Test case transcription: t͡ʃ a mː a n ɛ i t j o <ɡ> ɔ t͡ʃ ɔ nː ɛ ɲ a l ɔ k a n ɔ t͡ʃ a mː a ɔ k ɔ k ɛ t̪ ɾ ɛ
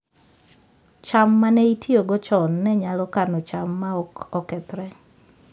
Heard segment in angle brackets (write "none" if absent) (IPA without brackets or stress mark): ɡ